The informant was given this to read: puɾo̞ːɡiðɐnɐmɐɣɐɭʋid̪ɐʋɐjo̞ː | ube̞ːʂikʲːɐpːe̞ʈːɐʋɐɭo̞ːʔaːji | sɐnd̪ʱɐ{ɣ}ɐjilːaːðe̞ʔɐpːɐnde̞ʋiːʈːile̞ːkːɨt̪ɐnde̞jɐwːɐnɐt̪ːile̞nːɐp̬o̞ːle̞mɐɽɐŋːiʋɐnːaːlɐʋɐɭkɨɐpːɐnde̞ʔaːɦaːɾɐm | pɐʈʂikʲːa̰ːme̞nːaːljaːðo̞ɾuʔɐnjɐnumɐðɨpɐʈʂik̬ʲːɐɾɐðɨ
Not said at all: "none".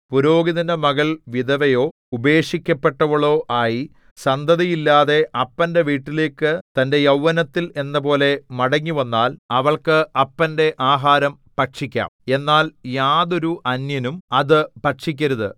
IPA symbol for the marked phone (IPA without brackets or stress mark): ð